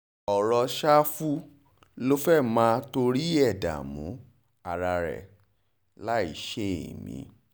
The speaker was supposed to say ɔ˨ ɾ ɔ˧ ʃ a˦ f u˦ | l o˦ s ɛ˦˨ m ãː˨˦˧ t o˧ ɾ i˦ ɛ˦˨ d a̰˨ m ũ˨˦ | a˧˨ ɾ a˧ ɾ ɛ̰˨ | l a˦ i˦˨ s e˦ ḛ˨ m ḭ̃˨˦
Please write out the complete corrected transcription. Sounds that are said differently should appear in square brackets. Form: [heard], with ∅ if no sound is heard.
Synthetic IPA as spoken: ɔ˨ ɾ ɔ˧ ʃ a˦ f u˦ | l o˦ [f] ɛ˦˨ m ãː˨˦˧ t o˧ ɾ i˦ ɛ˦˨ d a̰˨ m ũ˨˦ | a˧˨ ɾ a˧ ɾ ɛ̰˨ | l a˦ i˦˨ [ʃ] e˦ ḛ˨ m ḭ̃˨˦